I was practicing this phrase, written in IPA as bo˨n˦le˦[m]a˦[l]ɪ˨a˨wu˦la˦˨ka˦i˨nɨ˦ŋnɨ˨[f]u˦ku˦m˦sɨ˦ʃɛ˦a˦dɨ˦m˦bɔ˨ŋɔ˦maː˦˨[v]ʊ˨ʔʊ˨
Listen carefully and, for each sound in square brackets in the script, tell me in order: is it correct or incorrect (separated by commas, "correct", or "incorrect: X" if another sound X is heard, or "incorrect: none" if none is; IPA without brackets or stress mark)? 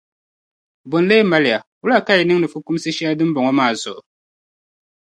correct, correct, correct, incorrect: z